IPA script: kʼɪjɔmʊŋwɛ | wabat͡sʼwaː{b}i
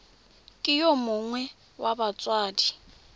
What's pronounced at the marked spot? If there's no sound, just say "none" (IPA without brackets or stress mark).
d